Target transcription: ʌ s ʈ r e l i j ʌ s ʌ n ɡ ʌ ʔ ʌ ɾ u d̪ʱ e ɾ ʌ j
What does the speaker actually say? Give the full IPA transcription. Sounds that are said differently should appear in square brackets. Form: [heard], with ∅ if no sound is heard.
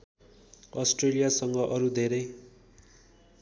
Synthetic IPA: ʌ s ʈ r e l i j [a] s ʌ [ŋ] ɡ ʌ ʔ ʌ ɾ u d̪ʱ e ɾ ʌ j